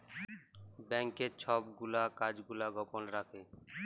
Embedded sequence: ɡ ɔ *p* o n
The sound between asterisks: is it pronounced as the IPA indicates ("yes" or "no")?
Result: yes